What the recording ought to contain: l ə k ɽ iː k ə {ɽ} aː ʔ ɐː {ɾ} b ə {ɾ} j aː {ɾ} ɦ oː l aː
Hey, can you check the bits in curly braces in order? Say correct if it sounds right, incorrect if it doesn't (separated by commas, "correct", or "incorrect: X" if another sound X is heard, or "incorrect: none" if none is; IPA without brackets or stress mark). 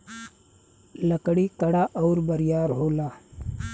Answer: correct, correct, correct, correct